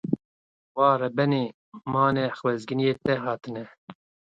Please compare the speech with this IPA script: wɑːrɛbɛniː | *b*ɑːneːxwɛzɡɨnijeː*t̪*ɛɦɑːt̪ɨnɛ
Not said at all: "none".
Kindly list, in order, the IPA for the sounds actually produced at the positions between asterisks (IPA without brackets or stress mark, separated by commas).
m, t̪